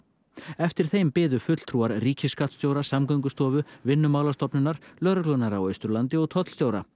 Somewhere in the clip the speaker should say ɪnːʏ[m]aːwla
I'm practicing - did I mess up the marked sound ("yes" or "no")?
no